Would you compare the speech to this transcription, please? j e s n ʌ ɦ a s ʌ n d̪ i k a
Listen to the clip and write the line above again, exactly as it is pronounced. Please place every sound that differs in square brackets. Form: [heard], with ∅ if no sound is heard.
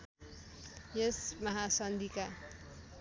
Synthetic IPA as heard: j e s [m] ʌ ɦ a s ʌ n d̪ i k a